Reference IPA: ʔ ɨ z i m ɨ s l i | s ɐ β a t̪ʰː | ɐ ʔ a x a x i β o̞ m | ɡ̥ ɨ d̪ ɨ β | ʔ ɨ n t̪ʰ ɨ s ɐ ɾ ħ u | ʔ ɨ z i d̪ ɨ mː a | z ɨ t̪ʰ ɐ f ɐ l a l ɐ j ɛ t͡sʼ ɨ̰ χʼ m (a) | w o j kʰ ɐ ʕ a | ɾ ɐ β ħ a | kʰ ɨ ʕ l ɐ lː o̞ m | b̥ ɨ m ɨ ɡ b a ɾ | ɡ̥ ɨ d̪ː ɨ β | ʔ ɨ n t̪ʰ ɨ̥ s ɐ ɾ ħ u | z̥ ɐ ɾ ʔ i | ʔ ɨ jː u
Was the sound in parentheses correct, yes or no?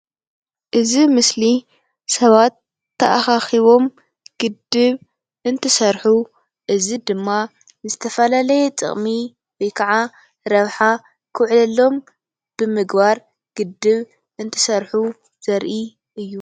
no